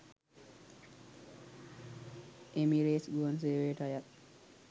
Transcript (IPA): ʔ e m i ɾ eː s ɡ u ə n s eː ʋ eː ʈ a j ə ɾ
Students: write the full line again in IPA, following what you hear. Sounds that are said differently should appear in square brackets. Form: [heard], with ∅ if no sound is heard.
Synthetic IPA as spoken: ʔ e m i ɾ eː s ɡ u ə n s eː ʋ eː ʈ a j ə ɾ